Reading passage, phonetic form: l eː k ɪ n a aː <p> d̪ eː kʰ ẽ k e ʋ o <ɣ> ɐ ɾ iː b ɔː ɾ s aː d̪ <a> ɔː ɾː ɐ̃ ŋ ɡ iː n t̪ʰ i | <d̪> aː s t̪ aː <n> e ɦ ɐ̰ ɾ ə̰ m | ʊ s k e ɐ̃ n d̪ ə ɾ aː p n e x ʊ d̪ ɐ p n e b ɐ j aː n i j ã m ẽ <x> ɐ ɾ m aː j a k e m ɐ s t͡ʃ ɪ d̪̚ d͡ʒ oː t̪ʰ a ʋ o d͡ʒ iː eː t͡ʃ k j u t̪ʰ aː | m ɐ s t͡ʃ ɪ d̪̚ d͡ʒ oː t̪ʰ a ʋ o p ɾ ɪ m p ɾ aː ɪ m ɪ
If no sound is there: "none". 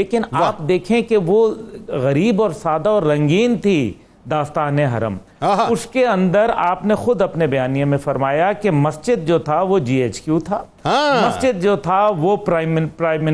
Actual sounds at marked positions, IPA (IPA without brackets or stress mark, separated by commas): p, ɣ, a, d̪, n, f